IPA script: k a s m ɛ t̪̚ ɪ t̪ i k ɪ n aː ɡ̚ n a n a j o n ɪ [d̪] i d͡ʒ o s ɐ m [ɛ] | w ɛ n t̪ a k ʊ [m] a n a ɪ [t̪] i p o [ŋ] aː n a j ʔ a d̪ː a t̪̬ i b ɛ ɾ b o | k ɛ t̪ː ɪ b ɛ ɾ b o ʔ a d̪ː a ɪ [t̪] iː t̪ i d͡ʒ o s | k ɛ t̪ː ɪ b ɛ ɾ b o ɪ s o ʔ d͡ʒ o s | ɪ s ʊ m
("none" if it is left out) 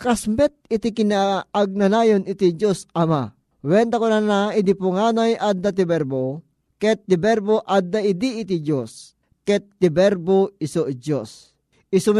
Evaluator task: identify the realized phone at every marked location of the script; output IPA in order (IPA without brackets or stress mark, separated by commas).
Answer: t̪, a, n, d̪, ŋ, d̪